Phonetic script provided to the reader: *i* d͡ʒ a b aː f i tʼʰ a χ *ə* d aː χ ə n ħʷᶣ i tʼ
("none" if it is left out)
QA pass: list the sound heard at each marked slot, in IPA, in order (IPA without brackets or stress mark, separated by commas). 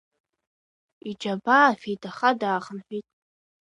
i, a